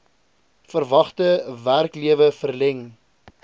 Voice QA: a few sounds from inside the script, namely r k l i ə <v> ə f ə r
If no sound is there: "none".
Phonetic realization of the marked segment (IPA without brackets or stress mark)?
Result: v